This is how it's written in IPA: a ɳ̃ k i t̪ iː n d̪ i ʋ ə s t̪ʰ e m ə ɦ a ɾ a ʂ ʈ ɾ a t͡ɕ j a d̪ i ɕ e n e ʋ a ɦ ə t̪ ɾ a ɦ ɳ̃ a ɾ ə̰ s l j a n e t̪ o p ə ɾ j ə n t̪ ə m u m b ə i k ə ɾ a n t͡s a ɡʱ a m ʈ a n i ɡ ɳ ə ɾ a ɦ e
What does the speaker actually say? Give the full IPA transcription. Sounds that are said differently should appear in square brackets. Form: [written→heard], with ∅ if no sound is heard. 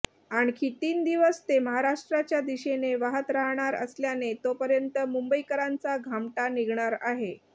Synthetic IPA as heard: a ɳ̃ k i t̪ iː n d̪ i ʋ ə s [t̪ʰ→t̪] e m ə ɦ a ɾ a ʂ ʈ ɾ a t͡ɕ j a d̪ i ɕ e n e ʋ a ɦ ə t̪ ɾ a ɦ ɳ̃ a ɾ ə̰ s l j a n e t̪ o p ə ɾ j ə n t̪ ə m u m b ə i k ə ɾ a n t͡s a ɡʱ a m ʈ a n i ɡ ɳ [ə→a] ɾ a ɦ e

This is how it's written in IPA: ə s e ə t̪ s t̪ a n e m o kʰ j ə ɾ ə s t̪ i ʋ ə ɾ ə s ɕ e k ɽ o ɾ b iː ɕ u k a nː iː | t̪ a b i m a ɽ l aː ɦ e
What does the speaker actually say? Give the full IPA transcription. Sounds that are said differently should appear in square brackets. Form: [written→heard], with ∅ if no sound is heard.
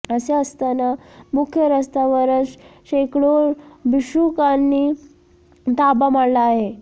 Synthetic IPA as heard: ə s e ə [t̪→∅] s t̪ a n [e→a] m [o→u] kʰ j ə ɾ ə s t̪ [i→a] ʋ ə ɾ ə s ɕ e k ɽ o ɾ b [iː→i] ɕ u k a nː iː | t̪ a b [i→a] m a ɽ l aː ɦ e

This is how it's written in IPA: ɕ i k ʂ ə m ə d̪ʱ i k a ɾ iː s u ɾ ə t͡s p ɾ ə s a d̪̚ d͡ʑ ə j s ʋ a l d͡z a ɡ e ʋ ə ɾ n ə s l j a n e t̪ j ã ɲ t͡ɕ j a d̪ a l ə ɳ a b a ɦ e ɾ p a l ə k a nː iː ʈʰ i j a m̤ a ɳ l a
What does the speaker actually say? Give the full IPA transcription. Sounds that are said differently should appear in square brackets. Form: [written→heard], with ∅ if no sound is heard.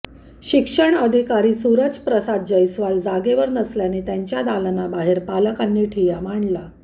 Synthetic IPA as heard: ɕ i k ʂ ə [m→ɳ] ə d̪ʱ i k a ɾ iː s u ɾ ə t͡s p ɾ ə s a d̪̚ d͡ʑ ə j s ʋ a l d͡z a ɡ e ʋ ə ɾ n ə s l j a n e t̪ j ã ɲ t͡ɕ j a d̪ a l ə [ɳ→n] a b a ɦ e ɾ p a l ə k a nː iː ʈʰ i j a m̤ a ɳ l a

